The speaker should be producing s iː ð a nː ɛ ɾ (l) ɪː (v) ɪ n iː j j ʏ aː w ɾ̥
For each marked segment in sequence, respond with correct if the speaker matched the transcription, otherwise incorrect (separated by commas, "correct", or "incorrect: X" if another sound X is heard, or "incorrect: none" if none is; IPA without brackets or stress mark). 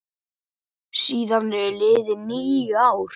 correct, incorrect: ð